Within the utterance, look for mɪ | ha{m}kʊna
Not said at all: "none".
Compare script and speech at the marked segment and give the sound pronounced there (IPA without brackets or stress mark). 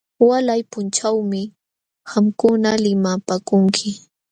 m